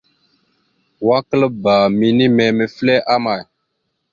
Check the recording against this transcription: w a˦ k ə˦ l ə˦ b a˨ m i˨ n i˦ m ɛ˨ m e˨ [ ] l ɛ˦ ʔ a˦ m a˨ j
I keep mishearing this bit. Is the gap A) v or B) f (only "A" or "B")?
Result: B